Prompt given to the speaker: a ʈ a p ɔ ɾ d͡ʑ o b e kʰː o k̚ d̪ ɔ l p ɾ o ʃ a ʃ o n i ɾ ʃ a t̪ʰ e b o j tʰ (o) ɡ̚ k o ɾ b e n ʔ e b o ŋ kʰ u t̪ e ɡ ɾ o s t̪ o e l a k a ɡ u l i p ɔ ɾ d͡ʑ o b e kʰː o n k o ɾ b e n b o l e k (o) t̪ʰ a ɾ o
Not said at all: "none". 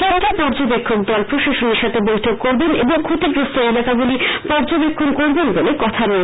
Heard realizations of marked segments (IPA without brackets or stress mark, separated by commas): o, ɔ